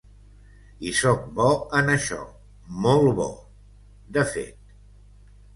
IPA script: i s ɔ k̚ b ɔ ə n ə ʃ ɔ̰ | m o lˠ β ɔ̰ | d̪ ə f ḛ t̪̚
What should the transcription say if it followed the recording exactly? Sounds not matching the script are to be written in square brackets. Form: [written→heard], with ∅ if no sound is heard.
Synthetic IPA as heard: i s ɔ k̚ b ɔ ə n ə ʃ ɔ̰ | m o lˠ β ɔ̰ | d̪ ə f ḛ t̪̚